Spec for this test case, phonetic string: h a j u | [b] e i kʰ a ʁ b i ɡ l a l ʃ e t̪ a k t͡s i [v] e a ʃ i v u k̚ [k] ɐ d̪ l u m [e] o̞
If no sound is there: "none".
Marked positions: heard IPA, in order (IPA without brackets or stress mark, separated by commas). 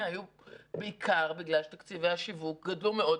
b, v, ɡ, e